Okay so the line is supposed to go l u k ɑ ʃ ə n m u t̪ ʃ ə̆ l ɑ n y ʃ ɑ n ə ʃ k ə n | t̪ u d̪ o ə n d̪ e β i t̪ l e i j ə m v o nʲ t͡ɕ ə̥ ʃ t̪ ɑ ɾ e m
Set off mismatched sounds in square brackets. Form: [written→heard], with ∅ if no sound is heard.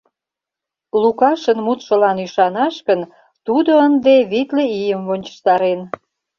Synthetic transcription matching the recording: l u k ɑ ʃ ə n m u t̪ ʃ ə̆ l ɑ n y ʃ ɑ n [ə→ɑ] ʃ k ə n | t̪ u d̪ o ə n d̪ e β i t̪ l e i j ə m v o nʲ t͡ɕ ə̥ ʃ t̪ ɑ ɾ e [m→n]